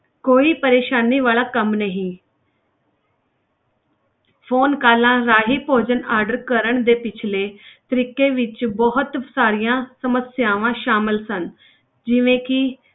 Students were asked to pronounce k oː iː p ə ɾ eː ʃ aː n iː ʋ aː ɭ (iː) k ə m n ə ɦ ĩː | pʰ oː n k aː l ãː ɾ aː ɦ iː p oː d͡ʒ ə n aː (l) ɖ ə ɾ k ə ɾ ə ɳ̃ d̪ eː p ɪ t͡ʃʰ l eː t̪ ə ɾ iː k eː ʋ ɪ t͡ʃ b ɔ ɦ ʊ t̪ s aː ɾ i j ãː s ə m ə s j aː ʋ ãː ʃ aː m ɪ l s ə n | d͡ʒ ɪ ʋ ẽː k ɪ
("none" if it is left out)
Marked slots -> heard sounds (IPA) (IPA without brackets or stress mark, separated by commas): aː, ɾ